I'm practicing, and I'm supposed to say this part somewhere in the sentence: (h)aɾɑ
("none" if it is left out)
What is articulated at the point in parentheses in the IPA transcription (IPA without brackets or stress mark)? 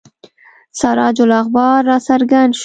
s